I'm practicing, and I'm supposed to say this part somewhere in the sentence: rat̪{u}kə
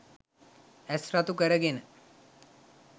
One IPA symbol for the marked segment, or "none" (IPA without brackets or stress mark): u